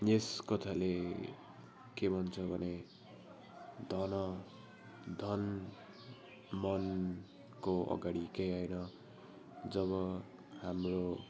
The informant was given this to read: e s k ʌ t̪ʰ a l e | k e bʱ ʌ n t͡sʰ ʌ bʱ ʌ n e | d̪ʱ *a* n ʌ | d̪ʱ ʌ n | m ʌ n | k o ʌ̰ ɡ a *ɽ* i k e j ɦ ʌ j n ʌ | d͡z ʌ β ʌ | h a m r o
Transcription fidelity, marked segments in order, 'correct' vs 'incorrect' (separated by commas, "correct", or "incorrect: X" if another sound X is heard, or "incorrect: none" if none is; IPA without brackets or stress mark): incorrect: ʌ, correct